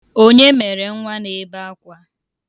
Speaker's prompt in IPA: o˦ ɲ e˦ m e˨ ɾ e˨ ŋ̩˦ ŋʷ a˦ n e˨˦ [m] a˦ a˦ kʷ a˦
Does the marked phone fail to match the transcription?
yes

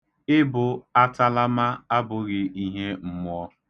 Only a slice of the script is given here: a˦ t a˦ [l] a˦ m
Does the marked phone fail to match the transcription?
no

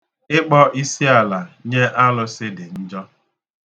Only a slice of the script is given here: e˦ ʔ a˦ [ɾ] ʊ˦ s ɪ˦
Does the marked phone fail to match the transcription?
yes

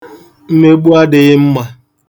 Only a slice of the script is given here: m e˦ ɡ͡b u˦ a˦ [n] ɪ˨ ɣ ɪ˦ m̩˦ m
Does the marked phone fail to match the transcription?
yes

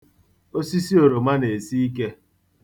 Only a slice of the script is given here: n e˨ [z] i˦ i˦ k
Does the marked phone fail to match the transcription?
yes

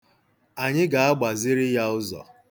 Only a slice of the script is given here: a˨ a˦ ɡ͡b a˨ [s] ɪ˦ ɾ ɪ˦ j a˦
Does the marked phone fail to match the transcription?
yes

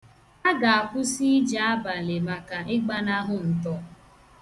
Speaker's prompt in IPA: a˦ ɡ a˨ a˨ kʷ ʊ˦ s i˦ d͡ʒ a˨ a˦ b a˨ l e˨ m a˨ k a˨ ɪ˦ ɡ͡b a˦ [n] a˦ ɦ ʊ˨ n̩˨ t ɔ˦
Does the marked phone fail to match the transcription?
no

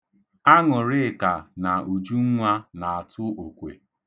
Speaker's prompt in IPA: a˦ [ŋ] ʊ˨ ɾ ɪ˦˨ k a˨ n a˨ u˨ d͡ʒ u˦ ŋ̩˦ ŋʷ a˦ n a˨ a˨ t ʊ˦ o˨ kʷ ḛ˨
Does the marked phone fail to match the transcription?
no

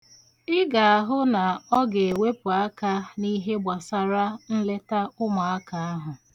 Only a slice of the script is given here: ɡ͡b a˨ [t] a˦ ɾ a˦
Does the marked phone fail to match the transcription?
yes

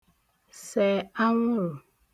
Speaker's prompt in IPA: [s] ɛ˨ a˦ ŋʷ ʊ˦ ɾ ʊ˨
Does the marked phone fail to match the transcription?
no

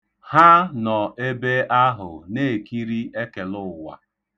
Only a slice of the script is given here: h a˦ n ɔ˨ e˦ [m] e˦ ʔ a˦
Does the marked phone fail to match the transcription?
yes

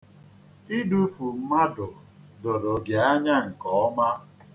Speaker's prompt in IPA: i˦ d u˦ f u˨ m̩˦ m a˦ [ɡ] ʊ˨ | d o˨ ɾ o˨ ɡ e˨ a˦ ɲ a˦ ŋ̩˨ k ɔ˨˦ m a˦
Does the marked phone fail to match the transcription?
yes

